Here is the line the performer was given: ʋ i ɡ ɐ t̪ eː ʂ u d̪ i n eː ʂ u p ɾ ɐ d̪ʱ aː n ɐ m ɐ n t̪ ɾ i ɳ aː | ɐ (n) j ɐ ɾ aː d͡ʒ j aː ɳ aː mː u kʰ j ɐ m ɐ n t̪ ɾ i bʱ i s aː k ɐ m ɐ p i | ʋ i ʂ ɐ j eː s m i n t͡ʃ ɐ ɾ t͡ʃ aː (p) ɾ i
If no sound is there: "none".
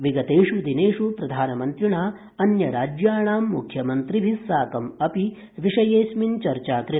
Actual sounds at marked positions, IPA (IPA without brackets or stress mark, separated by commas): n, k